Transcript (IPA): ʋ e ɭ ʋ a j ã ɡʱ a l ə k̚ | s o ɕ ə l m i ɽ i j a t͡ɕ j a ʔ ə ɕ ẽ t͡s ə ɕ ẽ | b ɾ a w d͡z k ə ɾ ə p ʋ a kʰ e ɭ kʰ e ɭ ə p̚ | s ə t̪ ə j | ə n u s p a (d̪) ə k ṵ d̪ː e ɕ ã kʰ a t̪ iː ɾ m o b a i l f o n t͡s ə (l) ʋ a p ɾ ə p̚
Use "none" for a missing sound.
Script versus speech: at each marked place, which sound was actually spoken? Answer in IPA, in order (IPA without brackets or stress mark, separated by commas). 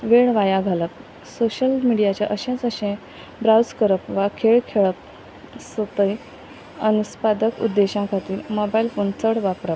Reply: d̪, ɽ